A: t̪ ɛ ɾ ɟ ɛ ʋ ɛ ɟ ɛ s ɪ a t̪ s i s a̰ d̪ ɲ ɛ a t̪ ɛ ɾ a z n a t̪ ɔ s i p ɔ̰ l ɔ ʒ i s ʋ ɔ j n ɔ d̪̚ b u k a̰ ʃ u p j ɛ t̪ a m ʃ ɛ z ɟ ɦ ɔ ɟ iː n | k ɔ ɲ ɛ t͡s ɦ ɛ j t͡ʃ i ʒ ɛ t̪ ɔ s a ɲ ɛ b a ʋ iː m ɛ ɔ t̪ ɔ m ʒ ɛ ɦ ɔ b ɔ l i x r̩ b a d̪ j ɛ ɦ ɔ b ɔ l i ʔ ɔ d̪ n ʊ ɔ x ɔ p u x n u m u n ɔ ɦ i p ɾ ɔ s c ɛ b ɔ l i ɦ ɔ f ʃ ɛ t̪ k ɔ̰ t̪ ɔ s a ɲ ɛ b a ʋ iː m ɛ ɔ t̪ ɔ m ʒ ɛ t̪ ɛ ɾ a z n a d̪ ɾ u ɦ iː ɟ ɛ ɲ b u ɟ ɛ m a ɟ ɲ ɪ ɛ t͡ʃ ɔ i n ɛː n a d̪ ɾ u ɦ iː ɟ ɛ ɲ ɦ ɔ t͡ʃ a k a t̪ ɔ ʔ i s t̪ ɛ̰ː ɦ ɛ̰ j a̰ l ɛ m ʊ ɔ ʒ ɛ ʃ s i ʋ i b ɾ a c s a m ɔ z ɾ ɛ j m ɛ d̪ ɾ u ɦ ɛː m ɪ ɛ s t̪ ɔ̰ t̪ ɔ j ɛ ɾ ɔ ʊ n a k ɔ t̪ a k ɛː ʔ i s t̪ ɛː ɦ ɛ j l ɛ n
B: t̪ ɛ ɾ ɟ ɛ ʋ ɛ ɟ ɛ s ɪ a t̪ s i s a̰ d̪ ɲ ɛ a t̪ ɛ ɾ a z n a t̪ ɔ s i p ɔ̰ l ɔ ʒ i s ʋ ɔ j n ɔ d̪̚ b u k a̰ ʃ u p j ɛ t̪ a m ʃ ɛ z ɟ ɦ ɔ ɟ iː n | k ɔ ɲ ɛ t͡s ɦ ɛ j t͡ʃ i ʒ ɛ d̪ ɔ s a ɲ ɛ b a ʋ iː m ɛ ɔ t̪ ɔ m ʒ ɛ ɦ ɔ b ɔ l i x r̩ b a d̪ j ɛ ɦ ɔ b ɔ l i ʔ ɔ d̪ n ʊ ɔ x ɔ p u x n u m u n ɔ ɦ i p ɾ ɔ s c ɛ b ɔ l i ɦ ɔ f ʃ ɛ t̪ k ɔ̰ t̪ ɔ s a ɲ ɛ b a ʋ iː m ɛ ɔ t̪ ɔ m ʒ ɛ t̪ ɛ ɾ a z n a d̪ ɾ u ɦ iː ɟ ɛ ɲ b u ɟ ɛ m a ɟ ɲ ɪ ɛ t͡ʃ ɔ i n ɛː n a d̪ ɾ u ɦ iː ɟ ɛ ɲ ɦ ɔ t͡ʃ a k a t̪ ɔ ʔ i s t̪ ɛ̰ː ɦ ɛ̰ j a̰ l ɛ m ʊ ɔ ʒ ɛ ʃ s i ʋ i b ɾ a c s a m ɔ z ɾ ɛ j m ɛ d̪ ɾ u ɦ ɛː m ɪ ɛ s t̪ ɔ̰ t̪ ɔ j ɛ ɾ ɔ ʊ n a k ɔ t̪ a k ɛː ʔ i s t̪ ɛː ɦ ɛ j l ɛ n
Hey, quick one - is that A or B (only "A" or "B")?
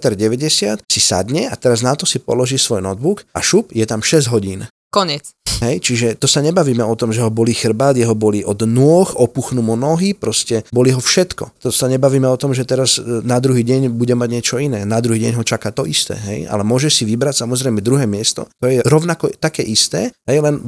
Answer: A